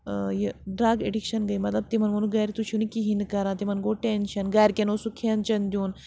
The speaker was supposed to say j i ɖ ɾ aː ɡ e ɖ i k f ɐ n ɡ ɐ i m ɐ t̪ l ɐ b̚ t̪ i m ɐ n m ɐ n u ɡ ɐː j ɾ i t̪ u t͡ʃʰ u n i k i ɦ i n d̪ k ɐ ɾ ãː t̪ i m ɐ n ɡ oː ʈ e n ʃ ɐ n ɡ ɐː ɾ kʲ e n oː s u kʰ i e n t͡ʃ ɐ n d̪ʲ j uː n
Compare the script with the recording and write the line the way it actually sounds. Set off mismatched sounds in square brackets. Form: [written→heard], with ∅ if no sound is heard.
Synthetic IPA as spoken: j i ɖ ɾ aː ɡ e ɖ i k [f→ʃ] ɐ n ɡ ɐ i m ɐ t̪ l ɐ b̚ t̪ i m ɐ n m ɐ n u ɡ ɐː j ɾ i t̪ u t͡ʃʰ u n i k i ɦ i n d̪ k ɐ ɾ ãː t̪ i m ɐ n ɡ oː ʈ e n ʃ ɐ n ɡ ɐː ɾ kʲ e n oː s u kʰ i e n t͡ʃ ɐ n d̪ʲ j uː n

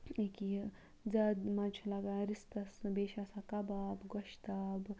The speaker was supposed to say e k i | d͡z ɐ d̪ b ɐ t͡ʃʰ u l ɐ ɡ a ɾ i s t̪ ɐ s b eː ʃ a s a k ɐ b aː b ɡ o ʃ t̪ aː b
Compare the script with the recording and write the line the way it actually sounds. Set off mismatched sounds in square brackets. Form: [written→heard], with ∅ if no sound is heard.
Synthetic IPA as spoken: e k i | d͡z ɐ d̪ [b→m] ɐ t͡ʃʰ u l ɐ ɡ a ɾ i s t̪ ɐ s b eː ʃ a s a k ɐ b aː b ɡ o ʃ t̪ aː b

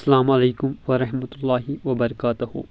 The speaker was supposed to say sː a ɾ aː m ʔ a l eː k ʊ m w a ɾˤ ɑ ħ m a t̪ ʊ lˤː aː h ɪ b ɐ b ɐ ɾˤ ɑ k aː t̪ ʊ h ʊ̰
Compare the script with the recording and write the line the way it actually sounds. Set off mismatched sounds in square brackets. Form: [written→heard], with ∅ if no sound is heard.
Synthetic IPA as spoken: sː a [ɾ→l] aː m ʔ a l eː k ʊ m w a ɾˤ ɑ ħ m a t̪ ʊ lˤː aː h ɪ [b→w] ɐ b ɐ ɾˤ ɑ k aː t̪ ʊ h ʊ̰

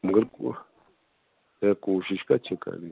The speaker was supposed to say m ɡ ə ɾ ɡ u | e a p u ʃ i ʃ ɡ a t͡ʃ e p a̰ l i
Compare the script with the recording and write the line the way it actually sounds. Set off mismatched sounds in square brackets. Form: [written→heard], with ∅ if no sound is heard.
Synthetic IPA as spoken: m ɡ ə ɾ [ɡ→k] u | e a [p→k] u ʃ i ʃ [ɡ→k] a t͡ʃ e [p→k] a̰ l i

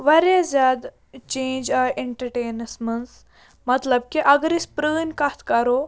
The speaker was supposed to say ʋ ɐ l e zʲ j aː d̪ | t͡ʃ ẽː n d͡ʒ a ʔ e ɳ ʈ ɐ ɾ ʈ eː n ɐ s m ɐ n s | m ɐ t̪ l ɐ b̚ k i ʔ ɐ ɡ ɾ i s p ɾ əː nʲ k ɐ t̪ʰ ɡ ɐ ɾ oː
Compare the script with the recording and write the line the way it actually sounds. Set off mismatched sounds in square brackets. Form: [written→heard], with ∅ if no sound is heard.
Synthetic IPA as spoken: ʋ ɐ [l→ɾ] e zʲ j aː d̪ | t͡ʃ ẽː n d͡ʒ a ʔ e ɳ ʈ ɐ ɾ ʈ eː n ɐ s m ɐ n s | m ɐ t̪ l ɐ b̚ k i ʔ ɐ ɡ ɾ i s p ɾ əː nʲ k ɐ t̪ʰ [ɡ→k] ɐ ɾ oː

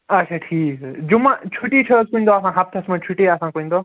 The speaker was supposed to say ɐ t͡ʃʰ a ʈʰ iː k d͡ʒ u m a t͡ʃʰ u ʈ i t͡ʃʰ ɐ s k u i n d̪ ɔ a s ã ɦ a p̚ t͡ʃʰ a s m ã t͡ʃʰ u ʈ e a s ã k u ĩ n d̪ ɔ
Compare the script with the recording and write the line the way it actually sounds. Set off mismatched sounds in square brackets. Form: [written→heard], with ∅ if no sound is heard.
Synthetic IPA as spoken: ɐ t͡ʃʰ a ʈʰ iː k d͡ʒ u m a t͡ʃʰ u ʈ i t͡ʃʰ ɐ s k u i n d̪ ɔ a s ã ɦ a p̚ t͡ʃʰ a s m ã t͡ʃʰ u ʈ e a s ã k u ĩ n d̪ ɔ

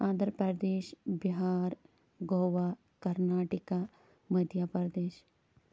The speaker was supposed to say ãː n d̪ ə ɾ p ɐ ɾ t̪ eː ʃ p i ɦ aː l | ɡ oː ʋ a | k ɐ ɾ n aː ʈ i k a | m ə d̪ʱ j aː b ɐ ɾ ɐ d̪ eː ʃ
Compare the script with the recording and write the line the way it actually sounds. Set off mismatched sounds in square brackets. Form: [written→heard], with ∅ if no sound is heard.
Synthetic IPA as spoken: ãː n d̪ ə ɾ p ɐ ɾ [t̪→d̪] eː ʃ [p→b] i ɦ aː [l→ɾ] | ɡ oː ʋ a | k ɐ ɾ n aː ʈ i k a | m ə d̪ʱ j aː [b→p] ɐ ɾ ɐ d̪ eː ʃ

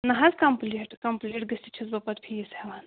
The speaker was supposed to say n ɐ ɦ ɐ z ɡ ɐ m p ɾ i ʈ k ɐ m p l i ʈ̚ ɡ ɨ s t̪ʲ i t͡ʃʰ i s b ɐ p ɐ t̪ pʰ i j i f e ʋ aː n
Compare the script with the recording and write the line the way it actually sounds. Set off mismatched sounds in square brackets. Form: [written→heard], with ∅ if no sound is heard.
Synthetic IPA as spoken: n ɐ ɦ ɐ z [ɡ→k] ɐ m p [ɾ→l] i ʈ k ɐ m p l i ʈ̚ ɡ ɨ s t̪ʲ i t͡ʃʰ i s b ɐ p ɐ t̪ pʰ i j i [f→s] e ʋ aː n

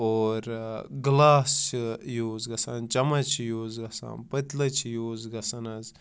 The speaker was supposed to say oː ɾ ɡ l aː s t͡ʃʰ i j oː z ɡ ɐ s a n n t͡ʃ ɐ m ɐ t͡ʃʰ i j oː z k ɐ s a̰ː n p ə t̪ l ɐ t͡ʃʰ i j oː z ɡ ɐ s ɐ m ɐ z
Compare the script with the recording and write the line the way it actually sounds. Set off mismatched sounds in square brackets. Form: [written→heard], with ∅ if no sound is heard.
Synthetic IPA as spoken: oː ɾ ɡ l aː s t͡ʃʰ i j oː z ɡ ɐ s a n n t͡ʃ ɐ m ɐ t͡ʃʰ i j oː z [k→ɡ] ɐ s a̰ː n p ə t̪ l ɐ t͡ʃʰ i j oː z ɡ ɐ s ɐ [m→n] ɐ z

